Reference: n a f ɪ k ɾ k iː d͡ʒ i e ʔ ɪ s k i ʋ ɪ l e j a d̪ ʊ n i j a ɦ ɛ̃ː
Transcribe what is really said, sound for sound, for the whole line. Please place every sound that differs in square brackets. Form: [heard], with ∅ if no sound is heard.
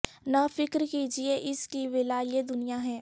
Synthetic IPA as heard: n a f ɪ k ɾ k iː d͡ʒ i e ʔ ɪ s k i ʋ ɪ l [a] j [e] d̪ ʊ n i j a ɦ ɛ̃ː